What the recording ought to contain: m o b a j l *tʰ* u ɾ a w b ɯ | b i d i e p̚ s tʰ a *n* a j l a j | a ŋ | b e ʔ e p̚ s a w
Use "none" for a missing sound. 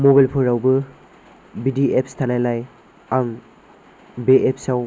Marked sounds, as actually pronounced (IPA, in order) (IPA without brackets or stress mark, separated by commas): pʰ, n